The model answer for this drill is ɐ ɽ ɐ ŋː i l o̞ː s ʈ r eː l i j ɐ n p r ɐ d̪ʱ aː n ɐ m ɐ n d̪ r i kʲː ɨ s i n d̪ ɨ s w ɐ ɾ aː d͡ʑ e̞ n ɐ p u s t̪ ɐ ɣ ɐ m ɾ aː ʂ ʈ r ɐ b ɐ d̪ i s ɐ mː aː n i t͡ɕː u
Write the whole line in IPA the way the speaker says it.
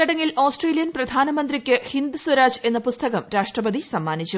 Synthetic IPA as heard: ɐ ɽ ɐ ŋː i l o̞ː s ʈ r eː l i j ɐ n p r ɐ d̪ʱ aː n ɐ m ɐ n d̪ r i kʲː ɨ h i n d̪ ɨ s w ɐ ɾ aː d͡ʑ e̞ nː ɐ p u s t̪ ɐ ɣ ɐ m ɾ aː ʂ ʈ r ɐ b ɐ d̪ i s ɐ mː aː n i t͡ɕː u